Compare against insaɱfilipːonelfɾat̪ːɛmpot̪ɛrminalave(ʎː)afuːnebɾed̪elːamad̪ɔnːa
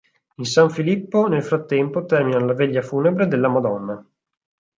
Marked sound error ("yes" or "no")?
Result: no